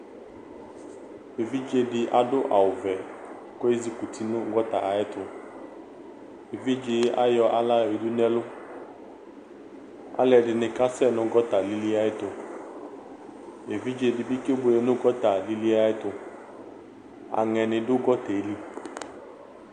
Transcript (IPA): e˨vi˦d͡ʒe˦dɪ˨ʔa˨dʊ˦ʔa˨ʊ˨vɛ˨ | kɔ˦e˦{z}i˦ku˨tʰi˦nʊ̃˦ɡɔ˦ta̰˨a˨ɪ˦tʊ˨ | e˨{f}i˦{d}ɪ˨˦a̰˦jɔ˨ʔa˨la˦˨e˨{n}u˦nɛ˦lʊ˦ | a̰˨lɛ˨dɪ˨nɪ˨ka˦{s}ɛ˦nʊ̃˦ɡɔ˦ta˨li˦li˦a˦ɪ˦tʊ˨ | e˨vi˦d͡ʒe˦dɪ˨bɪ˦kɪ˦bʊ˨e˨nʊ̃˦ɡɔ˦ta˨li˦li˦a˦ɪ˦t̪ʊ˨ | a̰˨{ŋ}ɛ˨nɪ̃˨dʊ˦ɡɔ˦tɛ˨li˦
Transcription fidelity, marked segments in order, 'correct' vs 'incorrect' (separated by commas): correct, incorrect, incorrect, incorrect, correct, correct